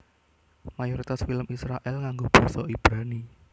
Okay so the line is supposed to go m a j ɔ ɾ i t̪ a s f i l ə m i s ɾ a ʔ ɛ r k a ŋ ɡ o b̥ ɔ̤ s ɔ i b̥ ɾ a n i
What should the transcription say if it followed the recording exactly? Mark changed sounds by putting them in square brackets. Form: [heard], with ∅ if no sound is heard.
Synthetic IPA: m a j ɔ ɾ i t̪ a s f i l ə m i s ɾ a ʔ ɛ [l] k a ŋ ɡ o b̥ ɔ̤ s ɔ i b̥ ɾ a n i